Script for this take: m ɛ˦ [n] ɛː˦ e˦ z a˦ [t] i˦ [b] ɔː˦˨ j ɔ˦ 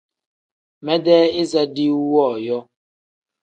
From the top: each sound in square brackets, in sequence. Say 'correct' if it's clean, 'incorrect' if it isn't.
incorrect, incorrect, incorrect

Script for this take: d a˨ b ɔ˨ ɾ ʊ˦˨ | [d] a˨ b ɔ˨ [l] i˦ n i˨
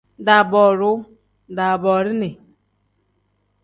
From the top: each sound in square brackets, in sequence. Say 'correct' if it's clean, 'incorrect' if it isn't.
correct, incorrect

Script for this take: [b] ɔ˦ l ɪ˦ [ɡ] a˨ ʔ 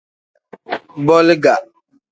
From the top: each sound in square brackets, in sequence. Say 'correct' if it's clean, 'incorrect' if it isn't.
correct, correct

